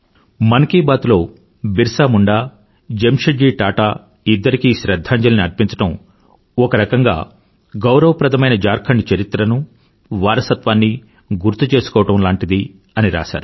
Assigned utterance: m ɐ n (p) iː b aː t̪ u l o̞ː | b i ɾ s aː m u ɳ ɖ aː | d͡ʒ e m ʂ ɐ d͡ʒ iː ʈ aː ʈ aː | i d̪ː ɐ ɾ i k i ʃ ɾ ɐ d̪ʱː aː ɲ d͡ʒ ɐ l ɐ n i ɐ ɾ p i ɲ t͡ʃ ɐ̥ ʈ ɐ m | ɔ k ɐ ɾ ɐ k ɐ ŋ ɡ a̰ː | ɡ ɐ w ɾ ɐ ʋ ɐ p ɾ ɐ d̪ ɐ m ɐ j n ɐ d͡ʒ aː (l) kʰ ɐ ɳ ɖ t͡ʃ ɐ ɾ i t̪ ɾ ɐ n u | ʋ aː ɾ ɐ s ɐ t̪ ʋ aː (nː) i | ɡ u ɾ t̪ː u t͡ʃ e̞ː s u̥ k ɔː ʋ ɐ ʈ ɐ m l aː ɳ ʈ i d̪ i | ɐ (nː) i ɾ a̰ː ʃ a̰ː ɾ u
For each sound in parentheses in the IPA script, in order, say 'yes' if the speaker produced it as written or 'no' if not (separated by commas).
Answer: no, no, yes, no